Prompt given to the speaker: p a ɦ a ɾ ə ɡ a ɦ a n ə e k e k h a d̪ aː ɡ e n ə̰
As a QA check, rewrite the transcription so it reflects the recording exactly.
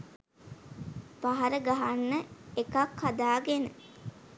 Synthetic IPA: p a ɦ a ɾ ə ɡ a ɦ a nː ə e k a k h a d̪ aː ɡ e n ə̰